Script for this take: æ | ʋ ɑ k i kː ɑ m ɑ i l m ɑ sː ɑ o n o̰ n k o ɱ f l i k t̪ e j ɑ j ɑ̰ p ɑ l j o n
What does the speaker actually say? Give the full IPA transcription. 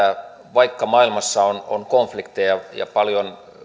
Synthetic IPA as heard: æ | ʋ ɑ i kː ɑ m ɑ i l m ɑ sː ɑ o n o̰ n k o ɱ f l i k t̪ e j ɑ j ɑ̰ p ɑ l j o n

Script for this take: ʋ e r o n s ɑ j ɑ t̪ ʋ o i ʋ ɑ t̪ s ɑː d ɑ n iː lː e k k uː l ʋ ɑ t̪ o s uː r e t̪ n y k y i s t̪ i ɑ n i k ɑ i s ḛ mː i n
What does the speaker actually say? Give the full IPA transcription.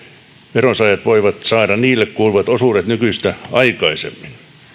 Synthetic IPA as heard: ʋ e r o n s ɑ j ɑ t̪ ʋ o i ʋ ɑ t̪ s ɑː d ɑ n iː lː e k k uː l ʋ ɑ t̪ o s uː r e t̪ n y k y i s t̪ æ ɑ i k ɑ i s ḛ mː i n

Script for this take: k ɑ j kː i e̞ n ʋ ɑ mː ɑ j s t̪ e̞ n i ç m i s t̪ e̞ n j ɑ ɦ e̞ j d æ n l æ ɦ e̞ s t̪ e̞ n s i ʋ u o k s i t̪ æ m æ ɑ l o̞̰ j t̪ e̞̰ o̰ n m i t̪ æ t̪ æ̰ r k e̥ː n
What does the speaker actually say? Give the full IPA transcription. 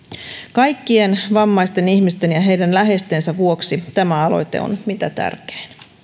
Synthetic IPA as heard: k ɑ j kː i e̞ n ʋ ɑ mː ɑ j s t̪ e̞ n i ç m i s t̪ e̞ n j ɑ ɦ e̞ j d æ n l æ ɦ e̞ s t̪ e̞ n s æ ʋ u o k s i t̪ æ m æ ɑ l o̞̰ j t̪ e̞̰ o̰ n m i t̪ æ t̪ æ̰ r k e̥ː n

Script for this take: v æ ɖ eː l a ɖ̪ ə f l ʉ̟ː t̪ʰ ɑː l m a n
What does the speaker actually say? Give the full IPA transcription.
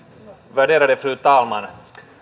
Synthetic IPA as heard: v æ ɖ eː ɾ a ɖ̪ ə f ɾ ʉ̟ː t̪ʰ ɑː l m a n

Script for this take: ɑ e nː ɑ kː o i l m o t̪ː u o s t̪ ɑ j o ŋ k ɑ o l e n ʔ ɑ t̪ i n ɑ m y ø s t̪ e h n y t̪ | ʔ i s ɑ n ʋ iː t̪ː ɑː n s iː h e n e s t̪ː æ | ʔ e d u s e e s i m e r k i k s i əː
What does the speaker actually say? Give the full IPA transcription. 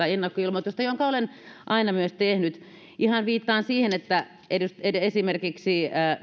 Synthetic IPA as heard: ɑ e nː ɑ kː o i l m o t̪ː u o s t̪ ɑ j o ŋ k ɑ o l e n ʔ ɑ i n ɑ m y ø s t̪ e h n y t̪ | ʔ i h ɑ n ʋ iː t̪ː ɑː n s iː h e n e t̪ː æ | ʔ e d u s e e s i m e r k i k s i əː

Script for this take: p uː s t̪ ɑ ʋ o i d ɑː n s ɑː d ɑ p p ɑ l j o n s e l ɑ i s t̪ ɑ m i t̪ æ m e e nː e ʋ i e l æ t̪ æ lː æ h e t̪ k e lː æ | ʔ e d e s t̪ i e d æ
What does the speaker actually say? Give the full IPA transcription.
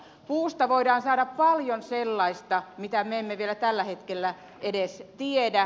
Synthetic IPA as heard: p uː s t̪ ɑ ʋ o i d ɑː n s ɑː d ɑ p p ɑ l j o n s e lː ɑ i s t̪ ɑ m i t̪ æ m e e mː e ʋ i e l æ t̪ æ lː æ h e t̪ k e lː æ | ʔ e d e s t̪ i e d æ

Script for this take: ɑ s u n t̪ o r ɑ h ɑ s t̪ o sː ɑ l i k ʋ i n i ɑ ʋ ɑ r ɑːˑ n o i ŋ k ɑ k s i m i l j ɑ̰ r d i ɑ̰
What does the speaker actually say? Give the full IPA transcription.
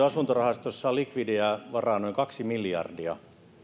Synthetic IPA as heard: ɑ s u n t̪ o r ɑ h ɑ s t̪ o sː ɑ l i k ʋ i d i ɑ ʋ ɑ r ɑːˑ n o i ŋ k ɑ k s i m i l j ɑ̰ r d i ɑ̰

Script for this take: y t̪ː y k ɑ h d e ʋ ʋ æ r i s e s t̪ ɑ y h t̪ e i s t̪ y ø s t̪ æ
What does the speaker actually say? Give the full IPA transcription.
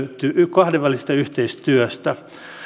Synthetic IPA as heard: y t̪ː y k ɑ h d e ʋ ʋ æ l i s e s t̪ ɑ y h t̪ e i s t̪ y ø s t̪ æ

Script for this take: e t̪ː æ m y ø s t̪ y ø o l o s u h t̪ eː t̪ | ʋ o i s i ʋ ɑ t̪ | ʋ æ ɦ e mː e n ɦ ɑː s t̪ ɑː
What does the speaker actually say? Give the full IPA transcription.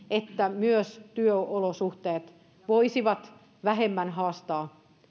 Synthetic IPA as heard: e t̪ː æ m y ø s t̪ y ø o l o s u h t̪ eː t̪ | ʋ o i s i ʋ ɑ t̪ | ʋ æ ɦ e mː æ n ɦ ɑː s t̪ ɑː

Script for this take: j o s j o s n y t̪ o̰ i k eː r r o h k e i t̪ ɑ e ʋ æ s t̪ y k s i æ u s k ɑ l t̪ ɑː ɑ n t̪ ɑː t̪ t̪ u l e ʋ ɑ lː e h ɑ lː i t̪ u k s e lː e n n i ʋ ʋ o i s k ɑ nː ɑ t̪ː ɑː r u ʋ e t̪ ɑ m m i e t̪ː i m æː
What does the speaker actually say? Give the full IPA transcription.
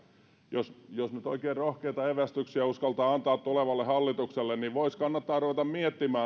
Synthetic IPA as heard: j o s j o s n y t̪ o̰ i k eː r r o h k e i t̪ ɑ e ʋ æ s t̪ y k s i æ u s k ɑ l t̪ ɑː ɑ n t̪ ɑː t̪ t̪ u l e ʋ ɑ lː e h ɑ lː i t̪ u k s e lː e n n i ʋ ʋ o i s k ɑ nː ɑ t̪ː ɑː r u ʋ e t̪ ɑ m m i e t̪ː i m æː

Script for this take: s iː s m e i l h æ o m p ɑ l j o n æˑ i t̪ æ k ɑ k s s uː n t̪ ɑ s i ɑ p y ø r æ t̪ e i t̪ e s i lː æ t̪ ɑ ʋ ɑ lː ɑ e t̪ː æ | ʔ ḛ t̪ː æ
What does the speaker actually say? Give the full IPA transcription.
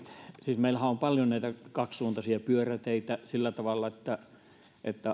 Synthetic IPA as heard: s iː s m e i l h æ o m p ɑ l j o n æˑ i t̪ æ k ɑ k s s uː n t̪ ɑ s i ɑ p y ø r æ t̪ e i t̪ æ s i lː æ t̪ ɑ ʋ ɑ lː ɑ e t̪ː æ | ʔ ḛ t̪ː æ

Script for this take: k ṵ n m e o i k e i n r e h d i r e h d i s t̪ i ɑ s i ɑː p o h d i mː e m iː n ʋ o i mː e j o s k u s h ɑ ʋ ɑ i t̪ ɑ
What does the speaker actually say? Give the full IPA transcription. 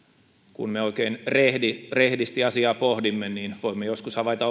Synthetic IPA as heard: k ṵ n m e o i k e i n r e h d i r e h d i s t̪ i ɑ s i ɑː p o h d i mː e n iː n ʋ o i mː e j o s k u s h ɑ ʋ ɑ i t̪ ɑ

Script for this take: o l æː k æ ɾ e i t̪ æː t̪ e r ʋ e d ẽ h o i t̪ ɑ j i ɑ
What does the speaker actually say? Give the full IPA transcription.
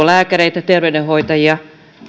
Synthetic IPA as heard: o l æː k æ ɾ e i t̪ æ t̪ e r ʋ e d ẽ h o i t̪ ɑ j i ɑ

